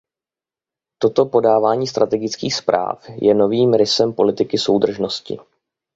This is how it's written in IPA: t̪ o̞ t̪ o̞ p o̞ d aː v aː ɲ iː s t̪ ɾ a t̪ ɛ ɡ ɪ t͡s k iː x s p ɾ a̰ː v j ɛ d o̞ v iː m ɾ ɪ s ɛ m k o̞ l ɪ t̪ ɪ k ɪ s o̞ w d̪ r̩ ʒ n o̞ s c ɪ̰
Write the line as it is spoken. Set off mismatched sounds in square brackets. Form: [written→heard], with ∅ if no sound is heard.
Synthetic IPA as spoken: t̪ o̞ t̪ o̞ p o̞ d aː v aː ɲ iː s t̪ ɾ a t̪ ɛ ɡ ɪ t͡s k iː x s p ɾ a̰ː [v→f] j ɛ [d→n] o̞ v iː m ɾ ɪ s ɛ m [k→p] o̞ l ɪ t̪ ɪ k ɪ s o̞ w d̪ r̩ ʒ n o̞ s c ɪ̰